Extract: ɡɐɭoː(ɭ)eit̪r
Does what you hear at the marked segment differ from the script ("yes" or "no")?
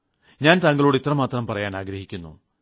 yes